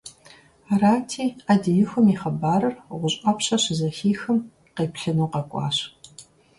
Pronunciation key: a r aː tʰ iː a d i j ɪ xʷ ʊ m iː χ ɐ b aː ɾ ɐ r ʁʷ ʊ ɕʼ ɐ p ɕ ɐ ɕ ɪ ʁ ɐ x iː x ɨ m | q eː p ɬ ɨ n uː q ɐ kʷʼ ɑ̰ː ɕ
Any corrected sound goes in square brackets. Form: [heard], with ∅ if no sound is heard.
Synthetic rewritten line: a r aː tʰ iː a d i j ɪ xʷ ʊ m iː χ ɐ b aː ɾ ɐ r ʁʷ ʊ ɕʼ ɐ p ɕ ɐ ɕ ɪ [z] ɐ x iː x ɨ m | q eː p ɬ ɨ n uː q ɐ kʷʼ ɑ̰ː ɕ